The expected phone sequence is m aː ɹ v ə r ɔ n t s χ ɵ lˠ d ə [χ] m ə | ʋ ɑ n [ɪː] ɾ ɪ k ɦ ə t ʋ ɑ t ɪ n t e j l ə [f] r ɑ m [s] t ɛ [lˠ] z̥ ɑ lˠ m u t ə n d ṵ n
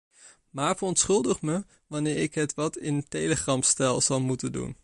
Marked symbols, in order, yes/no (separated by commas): yes, yes, no, yes, yes